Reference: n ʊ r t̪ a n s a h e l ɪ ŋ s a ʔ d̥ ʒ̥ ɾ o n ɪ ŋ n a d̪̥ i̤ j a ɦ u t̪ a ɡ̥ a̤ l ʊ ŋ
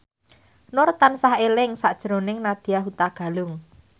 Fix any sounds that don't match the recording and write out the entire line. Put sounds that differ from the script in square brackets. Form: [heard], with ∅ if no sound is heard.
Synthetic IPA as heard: n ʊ r t̪ a n s a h e l ɪ ŋ s a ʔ d̥ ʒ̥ ɾ o n ɪ ŋ n a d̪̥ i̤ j a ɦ u t̪ a ɡ̥ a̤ l ʊ ŋ